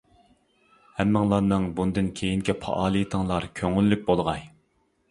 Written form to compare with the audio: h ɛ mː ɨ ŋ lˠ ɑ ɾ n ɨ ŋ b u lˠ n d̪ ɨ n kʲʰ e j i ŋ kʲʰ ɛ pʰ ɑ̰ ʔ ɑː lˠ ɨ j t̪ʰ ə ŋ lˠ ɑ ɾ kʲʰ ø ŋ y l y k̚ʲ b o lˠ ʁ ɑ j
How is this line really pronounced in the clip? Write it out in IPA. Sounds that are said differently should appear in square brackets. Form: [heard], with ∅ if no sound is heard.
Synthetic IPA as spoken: h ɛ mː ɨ ŋ lˠ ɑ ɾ n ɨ ŋ b u [∅] n d̪ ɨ n kʲʰ e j i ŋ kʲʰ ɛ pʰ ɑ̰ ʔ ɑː lˠ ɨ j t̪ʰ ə ŋ lˠ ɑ ɾ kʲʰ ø ŋ y [lː] y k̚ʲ b o lˠ ʁ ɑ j